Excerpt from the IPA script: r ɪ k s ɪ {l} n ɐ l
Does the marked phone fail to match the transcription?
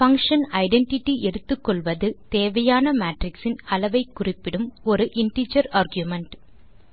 yes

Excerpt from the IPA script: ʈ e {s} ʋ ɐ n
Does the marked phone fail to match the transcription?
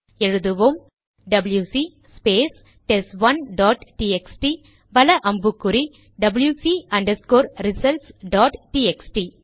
no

